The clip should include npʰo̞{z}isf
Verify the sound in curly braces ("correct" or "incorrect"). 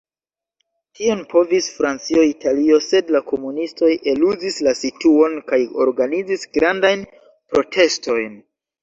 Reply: incorrect